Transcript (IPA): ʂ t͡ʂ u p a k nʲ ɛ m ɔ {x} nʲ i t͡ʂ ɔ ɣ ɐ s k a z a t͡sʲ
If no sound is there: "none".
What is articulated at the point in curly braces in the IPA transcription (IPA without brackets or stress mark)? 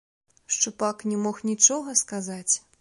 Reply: x